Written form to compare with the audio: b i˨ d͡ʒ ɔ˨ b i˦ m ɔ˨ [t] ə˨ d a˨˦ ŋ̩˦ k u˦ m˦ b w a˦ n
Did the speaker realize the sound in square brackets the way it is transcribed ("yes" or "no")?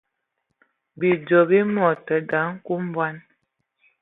yes